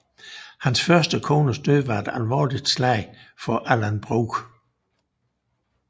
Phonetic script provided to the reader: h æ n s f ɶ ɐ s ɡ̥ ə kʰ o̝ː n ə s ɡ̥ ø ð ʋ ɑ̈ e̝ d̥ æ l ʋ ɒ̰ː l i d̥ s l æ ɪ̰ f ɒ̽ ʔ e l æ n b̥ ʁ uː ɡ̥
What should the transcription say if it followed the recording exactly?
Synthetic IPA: h æ n s f ɶ ɐ s d̥ ə kʰ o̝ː n ə s d̥ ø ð ʋ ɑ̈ e̝ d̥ æ l ʋ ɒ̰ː l i d̥ s l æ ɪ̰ f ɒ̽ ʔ æ l æ n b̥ ʁ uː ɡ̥

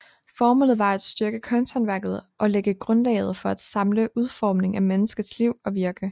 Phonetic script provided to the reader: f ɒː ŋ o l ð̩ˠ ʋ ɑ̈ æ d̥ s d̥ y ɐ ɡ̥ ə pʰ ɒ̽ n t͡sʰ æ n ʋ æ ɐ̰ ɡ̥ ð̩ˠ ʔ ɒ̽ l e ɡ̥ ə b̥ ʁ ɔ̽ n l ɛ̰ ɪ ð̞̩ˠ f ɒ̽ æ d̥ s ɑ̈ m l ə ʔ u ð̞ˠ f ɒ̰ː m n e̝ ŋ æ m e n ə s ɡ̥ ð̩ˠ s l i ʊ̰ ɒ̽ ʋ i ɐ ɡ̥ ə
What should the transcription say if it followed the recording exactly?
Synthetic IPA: f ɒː m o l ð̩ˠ ʋ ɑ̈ æ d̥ s d̥ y ɐ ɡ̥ ə kʰ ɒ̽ n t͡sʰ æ n ʋ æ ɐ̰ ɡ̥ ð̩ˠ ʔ ɒ̽ l e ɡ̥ ə ɡ̥ ʁ ɔ̽ n l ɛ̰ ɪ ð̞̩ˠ f ɒ̽ æ d̥ s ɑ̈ m l ə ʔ u ð̞ˠ f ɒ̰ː m n e̝ ŋ æ m e n ə s ɡ̥ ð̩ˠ s l i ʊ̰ ɒ̽ ʋ i ɐ ɡ̥ ə

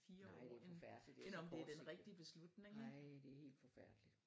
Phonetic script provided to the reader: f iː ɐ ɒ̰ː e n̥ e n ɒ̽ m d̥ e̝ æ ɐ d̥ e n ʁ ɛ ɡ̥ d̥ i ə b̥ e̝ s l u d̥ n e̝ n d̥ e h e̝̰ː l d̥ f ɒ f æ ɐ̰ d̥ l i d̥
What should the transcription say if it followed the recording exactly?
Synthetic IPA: f iː ɐ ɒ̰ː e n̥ e n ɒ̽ m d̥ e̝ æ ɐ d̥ e n ʁ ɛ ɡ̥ d̥ i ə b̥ e̝ s l u d̥ n e̝ ŋ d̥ e h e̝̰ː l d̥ f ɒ f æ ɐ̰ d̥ l i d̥

